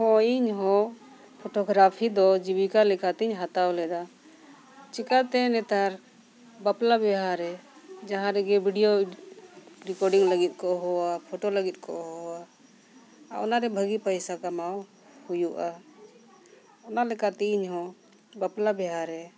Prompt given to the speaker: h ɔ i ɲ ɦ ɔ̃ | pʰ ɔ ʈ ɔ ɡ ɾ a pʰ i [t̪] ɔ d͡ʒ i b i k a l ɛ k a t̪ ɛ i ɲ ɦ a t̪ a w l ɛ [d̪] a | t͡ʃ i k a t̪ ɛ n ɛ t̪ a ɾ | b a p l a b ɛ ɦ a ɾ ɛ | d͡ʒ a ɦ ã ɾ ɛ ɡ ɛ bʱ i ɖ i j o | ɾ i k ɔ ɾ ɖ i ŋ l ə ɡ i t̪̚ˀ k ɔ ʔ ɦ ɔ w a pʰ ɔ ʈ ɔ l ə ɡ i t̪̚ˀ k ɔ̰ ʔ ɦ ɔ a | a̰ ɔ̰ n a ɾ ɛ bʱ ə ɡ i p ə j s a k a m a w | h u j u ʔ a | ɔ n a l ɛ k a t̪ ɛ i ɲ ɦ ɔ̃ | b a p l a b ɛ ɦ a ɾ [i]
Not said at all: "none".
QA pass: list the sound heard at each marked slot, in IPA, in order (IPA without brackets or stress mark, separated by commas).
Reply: d̪, d̪, ɛ